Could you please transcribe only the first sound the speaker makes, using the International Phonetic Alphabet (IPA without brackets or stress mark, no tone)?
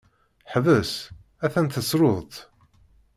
ħ